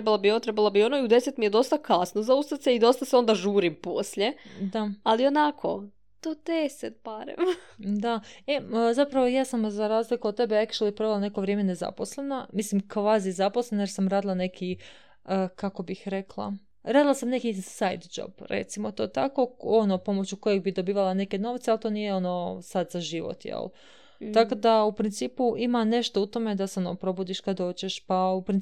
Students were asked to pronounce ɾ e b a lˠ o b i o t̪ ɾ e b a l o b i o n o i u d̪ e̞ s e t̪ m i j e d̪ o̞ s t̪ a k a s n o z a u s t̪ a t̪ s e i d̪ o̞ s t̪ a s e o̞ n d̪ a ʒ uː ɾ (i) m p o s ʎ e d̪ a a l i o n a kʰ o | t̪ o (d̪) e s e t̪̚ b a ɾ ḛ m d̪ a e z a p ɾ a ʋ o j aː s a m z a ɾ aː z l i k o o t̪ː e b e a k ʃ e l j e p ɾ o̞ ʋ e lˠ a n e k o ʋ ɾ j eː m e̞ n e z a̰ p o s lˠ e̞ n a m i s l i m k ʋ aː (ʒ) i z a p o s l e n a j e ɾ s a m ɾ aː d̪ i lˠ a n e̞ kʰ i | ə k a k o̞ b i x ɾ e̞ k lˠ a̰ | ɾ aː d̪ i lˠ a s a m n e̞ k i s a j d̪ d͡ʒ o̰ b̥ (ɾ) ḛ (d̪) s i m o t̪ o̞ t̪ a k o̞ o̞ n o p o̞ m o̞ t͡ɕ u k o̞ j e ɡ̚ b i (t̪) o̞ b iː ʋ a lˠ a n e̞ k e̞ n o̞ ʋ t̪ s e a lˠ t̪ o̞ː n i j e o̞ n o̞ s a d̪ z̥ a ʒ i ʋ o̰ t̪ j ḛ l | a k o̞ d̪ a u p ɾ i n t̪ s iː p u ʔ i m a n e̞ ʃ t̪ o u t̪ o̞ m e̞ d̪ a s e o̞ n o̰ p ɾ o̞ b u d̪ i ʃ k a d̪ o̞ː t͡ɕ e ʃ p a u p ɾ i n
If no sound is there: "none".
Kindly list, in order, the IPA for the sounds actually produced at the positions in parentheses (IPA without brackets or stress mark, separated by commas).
i, d̪, z, ɾ, t̪, d̪